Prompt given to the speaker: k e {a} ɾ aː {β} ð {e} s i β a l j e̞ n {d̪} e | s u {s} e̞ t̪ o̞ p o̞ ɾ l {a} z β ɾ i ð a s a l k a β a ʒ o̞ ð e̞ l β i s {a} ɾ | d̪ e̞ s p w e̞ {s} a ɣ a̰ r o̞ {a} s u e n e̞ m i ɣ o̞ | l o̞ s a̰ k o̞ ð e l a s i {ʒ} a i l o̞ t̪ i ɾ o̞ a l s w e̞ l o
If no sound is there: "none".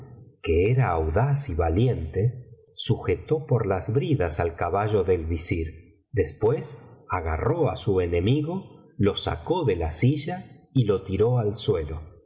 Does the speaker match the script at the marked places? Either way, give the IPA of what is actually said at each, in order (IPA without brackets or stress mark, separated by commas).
e, w, a, t̪, x, a, i, s, a, ʒ